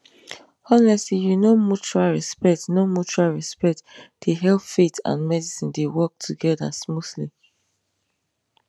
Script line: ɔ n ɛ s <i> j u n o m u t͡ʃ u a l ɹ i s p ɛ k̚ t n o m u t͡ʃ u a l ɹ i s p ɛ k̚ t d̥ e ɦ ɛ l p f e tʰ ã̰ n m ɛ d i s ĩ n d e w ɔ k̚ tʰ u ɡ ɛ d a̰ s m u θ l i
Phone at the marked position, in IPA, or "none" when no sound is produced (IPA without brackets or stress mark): i